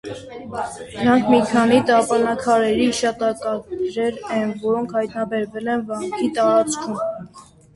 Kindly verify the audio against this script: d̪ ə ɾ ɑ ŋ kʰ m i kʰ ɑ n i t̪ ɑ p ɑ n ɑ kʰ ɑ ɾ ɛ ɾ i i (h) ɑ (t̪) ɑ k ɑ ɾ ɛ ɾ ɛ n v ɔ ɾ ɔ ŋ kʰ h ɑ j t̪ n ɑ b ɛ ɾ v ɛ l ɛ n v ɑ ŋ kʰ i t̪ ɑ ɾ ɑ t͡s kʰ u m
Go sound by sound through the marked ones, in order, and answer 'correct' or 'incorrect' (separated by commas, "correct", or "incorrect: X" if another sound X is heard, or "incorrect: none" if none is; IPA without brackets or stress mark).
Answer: incorrect: ʃ, correct